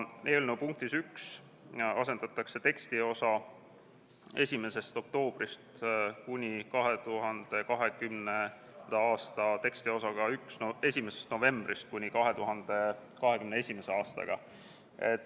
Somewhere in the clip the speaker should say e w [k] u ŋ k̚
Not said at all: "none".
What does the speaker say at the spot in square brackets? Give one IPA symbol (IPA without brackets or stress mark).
p